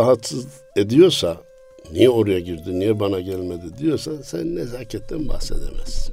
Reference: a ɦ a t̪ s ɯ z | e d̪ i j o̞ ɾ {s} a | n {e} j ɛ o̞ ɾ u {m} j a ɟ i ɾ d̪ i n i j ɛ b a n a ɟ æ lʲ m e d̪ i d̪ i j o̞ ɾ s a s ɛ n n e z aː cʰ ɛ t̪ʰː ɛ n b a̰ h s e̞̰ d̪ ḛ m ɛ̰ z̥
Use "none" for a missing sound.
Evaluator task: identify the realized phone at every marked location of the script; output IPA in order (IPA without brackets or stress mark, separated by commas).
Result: s, i, none